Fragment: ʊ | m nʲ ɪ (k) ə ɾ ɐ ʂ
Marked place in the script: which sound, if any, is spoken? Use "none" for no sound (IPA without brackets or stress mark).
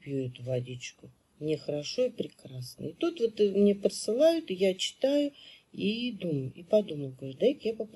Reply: x